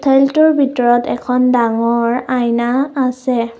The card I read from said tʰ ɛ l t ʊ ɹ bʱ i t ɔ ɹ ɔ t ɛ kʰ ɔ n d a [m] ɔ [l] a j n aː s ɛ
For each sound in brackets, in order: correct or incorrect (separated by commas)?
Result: incorrect, incorrect